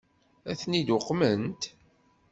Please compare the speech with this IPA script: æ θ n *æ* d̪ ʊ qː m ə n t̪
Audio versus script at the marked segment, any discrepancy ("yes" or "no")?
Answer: yes